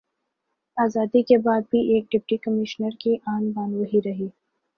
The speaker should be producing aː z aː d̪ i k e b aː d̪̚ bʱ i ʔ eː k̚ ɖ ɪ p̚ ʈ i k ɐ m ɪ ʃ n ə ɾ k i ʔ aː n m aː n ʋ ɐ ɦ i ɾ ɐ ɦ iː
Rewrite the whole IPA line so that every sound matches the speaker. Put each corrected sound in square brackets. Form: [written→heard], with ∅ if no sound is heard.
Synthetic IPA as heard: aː z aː d̪ i k e b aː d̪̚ bʱ i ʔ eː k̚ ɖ ɪ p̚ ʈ i k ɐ m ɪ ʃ n ə ɾ k i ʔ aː n [m→b] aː n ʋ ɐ ɦ i ɾ ɐ ɦ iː